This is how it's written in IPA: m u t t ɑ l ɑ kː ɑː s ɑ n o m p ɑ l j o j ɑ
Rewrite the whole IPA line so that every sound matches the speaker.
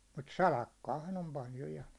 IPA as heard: m u t s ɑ l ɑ kː ɑː h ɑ n o m p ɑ l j o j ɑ